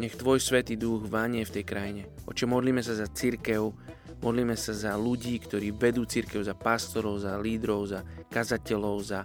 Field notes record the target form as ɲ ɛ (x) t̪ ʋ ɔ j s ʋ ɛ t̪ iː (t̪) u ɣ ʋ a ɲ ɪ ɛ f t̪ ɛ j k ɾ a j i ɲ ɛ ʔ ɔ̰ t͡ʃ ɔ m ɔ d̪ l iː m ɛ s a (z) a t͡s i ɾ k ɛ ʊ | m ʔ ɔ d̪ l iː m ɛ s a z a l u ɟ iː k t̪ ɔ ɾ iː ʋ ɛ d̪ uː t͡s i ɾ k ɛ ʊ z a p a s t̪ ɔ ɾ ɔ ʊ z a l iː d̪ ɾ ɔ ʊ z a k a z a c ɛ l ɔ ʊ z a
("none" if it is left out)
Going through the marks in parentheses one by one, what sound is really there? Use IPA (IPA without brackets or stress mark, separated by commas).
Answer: x, d̪, z